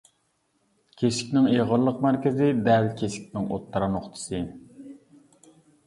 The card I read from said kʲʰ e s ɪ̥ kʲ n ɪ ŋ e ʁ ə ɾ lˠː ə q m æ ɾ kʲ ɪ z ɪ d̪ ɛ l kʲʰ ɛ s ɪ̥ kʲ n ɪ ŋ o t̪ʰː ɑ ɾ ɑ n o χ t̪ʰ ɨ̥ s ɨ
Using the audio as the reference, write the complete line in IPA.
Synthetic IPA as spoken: kʲʰ e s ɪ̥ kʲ n ɪ ŋ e ʁ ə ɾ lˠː ə q m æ ɾ kʲ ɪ z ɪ d̪ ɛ l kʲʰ e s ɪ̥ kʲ n ɪ ŋ o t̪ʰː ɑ ɾ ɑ n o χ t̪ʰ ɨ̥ s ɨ